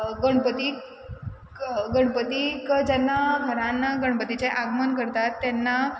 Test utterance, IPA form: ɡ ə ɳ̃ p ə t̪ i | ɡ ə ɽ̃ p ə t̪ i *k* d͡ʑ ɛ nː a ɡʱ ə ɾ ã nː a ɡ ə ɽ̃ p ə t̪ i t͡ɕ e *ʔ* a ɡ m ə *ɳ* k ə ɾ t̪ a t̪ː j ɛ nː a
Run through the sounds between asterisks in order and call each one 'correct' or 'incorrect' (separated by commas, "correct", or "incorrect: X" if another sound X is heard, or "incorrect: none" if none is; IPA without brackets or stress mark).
correct, correct, incorrect: n